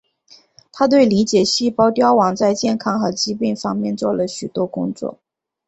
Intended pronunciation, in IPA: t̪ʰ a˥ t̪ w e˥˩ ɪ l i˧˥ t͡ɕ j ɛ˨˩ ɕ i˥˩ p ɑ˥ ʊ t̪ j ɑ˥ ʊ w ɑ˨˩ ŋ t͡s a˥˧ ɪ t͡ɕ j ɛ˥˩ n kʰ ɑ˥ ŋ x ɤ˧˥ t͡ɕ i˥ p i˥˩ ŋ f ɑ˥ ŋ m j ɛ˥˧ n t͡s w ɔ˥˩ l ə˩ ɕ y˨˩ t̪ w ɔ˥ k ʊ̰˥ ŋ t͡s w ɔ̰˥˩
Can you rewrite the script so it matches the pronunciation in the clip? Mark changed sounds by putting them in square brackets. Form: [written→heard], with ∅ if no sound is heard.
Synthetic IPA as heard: t̪ʰ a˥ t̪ w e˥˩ ɪ l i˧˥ t͡ɕ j ɛ˨˩ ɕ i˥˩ p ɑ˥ ʊ t̪ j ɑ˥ ʊ w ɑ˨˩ ŋ t͡s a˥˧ ɪ t͡ɕ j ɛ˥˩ n kʰ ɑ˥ ŋ x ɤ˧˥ t͡ɕ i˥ p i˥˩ ŋ f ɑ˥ ŋ m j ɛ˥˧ n t͡s w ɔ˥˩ l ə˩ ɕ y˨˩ t̪ w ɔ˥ k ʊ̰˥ ŋ t͡s w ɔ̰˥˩